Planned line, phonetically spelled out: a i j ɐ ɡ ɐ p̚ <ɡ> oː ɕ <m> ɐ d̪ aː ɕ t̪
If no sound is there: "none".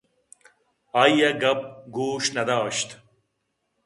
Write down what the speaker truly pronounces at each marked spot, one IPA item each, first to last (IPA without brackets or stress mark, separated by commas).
ɡ, n